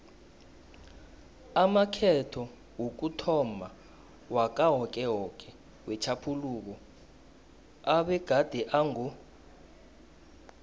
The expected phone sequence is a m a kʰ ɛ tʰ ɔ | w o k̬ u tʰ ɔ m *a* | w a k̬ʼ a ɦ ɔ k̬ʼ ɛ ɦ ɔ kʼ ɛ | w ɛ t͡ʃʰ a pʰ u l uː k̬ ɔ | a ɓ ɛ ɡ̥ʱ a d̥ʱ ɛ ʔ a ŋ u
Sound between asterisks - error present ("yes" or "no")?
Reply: no